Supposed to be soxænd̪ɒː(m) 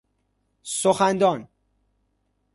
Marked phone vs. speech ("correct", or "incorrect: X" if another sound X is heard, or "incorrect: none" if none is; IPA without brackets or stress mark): incorrect: n